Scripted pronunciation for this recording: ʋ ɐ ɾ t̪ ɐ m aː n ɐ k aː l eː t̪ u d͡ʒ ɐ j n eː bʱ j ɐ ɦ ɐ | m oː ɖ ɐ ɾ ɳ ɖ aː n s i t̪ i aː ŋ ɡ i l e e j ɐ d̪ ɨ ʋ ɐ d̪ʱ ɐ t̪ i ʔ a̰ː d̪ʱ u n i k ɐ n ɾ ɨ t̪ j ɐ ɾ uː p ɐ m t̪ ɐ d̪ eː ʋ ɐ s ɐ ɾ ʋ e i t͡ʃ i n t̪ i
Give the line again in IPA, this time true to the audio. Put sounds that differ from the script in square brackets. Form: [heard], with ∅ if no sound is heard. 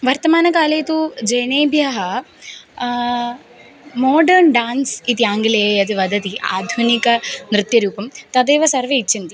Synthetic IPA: ʋ ɐ ɾ t̪ ɐ m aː n ɐ k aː l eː t̪ u d͡ʒ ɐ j n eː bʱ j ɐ ɦ ɐ | m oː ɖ ɐ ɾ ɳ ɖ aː n s i t̪ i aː ŋ ɡ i l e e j ɐ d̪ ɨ ʋ ɐ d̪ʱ ɐ t̪ i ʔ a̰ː d̪ʱ u n i k ɐ n ɾ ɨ t̪ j ɐ ɾ uː p ɐ m t̪ ɐ d̪ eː ʋ ɐ s ɐ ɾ ʋ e i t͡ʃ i n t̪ i

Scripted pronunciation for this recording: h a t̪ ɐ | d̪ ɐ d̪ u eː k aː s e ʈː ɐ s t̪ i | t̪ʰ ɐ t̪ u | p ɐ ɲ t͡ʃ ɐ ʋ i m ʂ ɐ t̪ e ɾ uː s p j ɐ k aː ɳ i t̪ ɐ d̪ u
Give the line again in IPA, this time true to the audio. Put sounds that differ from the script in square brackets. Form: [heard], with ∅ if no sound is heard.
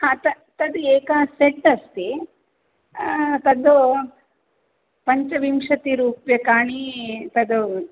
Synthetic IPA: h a t̪ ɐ | [t̪] ɐ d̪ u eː k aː s e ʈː ɐ s t̪ i | [t̪] ɐ [d̪] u | p ɐ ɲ t͡ʃ ɐ ʋ i m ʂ ɐ t̪ [i] ɾ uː [∅] p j ɐ k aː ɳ i t̪ ɐ d̪ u

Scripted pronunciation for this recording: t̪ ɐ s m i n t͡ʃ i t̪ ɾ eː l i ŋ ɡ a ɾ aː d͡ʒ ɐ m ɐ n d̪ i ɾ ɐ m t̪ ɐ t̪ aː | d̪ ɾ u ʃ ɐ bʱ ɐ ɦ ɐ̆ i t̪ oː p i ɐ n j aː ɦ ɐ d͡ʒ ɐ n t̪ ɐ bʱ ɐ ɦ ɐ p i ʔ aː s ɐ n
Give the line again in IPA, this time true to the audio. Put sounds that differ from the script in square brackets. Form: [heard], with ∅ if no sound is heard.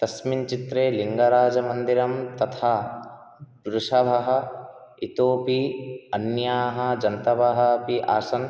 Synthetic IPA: t̪ ɐ s m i n t͡ʃ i t̪ ɾ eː l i ŋ ɡ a ɾ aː d͡ʒ ɐ m ɐ n d̪ i ɾ ɐ m t̪ ɐ [t̪ʰ] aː | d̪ ɾ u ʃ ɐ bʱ ɐ ɦ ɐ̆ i t̪ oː p i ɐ n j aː ɦ ɐ d͡ʒ ɐ n t̪ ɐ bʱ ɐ ɦ ɐ p i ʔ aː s ɐ n

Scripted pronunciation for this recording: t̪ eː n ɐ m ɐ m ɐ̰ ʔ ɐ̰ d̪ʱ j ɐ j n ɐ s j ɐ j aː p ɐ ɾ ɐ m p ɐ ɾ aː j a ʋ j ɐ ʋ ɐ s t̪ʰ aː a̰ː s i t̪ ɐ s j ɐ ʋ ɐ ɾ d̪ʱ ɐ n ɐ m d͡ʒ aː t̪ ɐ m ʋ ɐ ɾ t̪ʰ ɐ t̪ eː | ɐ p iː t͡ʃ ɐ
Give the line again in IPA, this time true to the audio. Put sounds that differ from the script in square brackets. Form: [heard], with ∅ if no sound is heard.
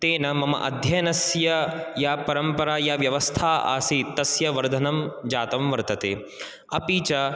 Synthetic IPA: t̪ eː n ɐ m ɐ m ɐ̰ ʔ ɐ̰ d̪ʱ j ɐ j n ɐ s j ɐ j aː p ɐ ɾ ɐ m p ɐ ɾ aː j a ʋ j ɐ ʋ ɐ s t̪ʰ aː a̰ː s i t̪ ɐ s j ɐ ʋ ɐ ɾ d̪ʱ ɐ n ɐ m d͡ʒ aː t̪ ɐ m ʋ ɐ ɾ [t̪] ɐ t̪ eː | ɐ p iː t͡ʃ ɐ

